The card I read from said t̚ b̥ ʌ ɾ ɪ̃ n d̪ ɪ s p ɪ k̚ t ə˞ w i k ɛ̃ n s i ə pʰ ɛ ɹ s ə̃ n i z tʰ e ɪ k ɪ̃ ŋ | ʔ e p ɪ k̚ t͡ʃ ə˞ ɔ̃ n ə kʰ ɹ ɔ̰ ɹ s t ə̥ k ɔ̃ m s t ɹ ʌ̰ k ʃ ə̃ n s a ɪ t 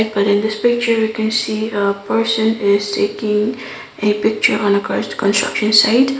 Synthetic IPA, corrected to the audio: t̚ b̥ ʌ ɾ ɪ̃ n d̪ ɪ s p ɪ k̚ t͡ʃ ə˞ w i k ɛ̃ n s i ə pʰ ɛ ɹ s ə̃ n ɪ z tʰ e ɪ k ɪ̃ ŋ | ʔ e p ɪ k̚ t͡ʃ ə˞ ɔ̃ n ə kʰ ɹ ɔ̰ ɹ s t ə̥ k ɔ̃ n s t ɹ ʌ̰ k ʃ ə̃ n s a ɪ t